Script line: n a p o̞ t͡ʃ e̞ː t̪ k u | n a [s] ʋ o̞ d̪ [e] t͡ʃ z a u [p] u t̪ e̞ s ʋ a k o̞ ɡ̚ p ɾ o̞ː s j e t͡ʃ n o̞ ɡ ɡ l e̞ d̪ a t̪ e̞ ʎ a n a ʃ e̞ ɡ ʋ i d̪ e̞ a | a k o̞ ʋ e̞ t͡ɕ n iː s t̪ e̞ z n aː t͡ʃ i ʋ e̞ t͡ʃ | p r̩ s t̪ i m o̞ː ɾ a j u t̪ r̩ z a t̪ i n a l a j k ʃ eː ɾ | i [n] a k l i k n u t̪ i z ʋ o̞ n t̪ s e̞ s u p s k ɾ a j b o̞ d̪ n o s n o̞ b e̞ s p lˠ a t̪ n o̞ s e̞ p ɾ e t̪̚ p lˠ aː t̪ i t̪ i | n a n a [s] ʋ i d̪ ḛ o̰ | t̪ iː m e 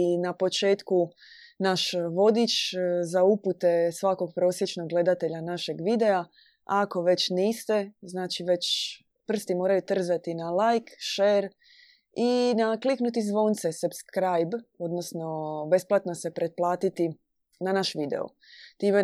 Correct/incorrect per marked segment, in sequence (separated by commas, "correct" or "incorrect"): incorrect, incorrect, correct, correct, incorrect